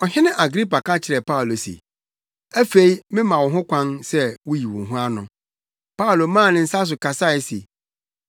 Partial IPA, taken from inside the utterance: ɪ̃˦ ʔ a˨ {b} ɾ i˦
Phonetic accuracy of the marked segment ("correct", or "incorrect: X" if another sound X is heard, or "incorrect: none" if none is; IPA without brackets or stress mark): incorrect: ɡ